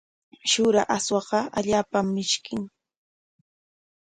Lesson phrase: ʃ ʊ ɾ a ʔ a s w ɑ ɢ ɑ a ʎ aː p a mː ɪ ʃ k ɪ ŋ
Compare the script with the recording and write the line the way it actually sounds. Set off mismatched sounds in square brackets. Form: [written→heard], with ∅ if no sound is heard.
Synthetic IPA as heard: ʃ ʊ ɾ a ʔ a s w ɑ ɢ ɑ a ʎ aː p a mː ɪ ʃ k ɪ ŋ